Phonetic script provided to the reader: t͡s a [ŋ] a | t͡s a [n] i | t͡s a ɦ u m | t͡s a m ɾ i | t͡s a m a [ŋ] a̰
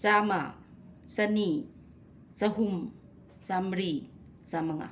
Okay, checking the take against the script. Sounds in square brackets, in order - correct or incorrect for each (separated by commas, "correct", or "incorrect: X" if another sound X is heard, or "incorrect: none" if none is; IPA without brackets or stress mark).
incorrect: m, correct, correct